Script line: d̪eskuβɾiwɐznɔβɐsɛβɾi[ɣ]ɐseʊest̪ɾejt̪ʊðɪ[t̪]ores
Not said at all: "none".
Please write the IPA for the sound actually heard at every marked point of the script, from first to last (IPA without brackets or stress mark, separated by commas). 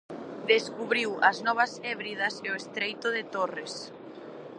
ð, t̪